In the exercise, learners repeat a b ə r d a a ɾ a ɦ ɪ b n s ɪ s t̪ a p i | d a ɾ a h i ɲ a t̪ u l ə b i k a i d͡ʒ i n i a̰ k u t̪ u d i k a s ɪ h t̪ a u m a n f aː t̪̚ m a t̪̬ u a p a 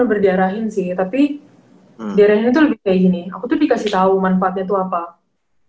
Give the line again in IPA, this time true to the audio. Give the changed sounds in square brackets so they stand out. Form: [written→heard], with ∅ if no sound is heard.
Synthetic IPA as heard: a b ə r d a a ɾ a ɦ ɪ [b→∅] n s ɪ [s→h] t̪ a p i | d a ɾ a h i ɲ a t̪ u l ə b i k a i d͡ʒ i n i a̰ k u t̪ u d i k a s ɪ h t̪ a u m a n f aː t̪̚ [m→ɲ] a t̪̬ u a p a